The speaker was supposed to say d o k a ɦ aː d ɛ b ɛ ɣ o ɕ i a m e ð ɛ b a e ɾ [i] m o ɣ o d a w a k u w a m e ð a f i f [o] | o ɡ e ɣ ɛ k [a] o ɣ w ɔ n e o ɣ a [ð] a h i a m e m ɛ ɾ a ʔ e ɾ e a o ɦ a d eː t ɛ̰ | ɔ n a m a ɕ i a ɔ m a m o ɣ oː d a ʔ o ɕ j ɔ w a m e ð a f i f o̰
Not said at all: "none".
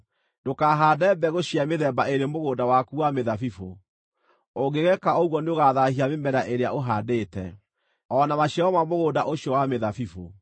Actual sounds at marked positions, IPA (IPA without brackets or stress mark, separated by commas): e, o, a, ð